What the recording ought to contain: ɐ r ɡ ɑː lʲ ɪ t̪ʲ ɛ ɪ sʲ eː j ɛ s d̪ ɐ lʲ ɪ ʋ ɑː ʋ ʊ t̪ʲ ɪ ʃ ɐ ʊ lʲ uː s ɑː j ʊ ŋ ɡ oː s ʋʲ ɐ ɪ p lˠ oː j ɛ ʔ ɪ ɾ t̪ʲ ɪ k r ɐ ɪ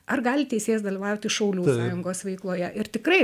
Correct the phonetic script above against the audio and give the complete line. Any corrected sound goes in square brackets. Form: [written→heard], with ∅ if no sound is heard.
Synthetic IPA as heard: ɐ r ɡ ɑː lʲ ɪ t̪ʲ ɛ ɪ sʲ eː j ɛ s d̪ ɐ lʲ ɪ ʋ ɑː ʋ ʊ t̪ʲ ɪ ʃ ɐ ʊ lʲ uː s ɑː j ʊ ŋ ɡ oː s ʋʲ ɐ ɪ [p→k] lˠ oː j ɛ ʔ ɪ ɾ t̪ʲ ɪ k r ɐ ɪ